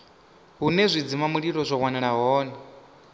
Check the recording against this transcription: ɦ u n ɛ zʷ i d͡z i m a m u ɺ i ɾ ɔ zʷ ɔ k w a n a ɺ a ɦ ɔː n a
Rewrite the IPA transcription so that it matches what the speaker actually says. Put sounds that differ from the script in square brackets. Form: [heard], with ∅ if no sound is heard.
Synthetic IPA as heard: ɦ u n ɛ zʷ i d͡z i m a m u ɺ i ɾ ɔ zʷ ɔ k w a n [ɛ] ɺ a ɦ ɔː n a